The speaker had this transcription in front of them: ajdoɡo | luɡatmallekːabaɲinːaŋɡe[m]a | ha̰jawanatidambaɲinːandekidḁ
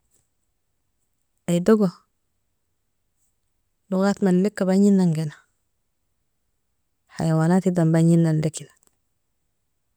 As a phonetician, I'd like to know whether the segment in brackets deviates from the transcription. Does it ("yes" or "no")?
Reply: yes